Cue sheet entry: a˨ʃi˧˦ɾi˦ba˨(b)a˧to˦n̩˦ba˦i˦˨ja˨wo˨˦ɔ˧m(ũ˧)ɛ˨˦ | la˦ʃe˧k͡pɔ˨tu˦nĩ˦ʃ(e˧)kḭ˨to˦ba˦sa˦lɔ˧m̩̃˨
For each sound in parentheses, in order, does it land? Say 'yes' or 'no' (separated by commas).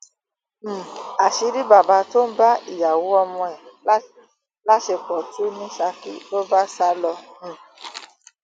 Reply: yes, no, no